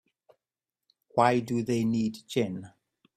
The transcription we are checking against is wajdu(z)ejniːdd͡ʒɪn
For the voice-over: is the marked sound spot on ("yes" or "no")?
no